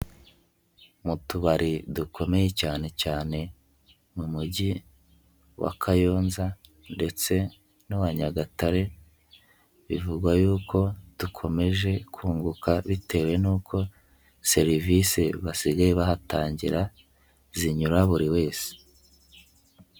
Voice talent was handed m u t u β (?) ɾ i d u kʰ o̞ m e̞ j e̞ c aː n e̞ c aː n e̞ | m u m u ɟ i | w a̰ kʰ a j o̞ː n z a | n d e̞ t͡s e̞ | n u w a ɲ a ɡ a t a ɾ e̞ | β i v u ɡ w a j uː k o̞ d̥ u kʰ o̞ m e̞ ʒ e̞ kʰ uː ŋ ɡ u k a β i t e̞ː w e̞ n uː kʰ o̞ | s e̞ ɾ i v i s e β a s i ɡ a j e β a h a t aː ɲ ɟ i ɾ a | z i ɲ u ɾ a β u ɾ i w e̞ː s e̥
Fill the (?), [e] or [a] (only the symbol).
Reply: a